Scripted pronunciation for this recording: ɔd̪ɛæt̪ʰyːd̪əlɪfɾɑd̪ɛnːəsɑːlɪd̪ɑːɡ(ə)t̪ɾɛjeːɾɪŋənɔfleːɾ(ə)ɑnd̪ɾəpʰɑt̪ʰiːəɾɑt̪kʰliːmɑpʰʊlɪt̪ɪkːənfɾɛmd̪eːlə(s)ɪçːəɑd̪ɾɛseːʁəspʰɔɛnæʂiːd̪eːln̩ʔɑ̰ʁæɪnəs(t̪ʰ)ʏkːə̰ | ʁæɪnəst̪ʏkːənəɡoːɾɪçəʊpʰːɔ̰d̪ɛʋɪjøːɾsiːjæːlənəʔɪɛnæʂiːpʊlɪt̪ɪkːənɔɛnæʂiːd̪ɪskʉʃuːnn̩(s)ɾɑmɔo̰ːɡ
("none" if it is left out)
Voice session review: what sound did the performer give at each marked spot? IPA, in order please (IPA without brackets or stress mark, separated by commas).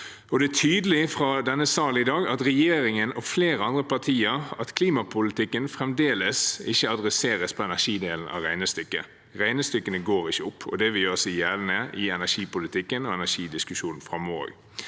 ɑ, ə, s, t̪, f